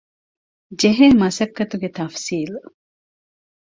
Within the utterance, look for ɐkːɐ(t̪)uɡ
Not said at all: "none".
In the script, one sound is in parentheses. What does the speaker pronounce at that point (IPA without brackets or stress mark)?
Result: t̪